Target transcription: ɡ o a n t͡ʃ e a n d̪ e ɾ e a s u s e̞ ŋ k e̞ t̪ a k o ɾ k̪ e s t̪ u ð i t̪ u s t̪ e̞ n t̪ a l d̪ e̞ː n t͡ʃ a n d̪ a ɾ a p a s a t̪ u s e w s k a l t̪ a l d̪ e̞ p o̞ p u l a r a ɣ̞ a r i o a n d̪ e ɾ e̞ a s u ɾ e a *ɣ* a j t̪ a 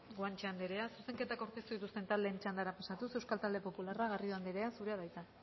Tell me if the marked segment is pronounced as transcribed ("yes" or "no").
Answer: no